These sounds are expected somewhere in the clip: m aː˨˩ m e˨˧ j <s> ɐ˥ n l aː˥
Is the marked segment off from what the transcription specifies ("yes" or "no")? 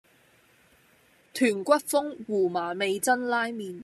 yes